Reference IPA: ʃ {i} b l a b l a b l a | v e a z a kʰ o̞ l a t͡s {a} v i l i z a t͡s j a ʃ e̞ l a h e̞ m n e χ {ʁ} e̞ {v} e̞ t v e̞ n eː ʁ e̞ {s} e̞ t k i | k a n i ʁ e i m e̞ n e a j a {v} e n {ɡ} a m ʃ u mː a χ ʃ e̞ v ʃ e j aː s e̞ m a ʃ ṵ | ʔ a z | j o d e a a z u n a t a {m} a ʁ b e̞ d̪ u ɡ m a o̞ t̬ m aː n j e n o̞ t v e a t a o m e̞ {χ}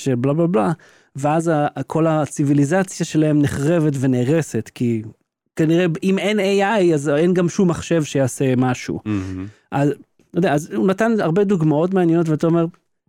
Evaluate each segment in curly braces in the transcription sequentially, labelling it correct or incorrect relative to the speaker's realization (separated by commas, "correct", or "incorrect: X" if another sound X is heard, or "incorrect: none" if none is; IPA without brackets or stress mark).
incorrect: e, incorrect: i, correct, correct, correct, incorrect: z, correct, incorrect: n, incorrect: ʁ